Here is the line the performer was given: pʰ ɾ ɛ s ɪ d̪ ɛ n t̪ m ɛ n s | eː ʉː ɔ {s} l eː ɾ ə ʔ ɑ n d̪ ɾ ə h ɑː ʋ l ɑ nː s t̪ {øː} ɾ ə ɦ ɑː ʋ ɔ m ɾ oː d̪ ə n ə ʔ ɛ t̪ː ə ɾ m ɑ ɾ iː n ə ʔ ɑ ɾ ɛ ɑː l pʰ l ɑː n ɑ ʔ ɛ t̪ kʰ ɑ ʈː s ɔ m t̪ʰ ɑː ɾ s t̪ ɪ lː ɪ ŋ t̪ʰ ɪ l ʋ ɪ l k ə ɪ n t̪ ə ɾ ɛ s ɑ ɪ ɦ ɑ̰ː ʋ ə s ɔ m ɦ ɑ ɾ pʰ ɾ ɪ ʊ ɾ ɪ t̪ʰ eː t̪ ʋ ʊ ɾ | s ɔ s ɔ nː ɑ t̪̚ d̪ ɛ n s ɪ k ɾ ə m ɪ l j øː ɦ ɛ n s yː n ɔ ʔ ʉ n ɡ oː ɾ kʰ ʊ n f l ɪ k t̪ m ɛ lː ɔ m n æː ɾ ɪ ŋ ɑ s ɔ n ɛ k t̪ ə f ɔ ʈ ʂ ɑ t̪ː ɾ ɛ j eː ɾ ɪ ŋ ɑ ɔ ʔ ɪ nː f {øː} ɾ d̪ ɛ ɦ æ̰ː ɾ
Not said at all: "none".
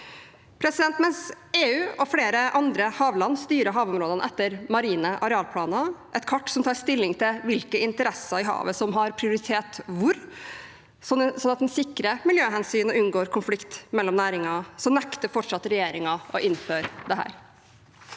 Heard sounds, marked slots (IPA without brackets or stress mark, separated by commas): f, yː, øː